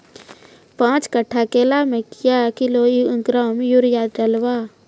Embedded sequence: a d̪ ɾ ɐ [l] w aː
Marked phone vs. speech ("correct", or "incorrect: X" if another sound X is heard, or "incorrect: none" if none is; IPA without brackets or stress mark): correct